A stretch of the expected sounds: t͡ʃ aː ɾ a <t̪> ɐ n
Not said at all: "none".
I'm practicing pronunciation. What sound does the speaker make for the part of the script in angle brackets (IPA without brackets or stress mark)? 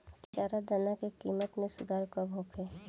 d̪